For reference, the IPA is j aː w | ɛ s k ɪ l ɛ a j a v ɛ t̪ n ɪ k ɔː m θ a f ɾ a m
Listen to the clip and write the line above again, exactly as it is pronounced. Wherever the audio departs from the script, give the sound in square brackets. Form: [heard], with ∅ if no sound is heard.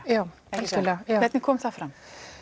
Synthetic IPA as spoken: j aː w | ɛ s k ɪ l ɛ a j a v ɛ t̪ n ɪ [kʰ] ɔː m θ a f ɾ a m